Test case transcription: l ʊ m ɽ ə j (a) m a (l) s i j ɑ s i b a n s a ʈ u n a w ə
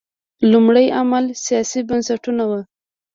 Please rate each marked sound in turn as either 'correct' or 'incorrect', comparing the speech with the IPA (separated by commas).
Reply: correct, correct